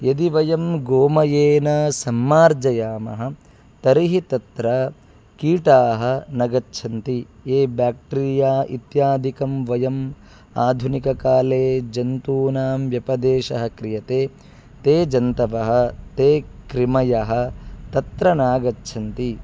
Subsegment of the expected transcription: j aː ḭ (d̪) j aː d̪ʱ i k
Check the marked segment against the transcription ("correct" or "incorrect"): incorrect